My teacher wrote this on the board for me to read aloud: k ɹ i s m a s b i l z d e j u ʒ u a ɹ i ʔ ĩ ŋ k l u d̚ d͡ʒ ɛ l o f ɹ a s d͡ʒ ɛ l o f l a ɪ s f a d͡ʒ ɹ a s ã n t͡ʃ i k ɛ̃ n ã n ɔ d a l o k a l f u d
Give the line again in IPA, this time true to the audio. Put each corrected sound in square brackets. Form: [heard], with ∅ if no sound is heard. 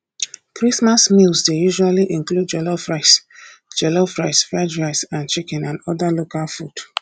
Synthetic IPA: k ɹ i s m a s [m] i l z d e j u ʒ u a [l] i ʔ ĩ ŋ k l u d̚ d͡ʒ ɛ l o f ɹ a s d͡ʒ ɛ l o f [ɹ] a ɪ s f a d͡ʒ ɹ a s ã n t͡ʃ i k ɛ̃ n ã n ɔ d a l o k a l f u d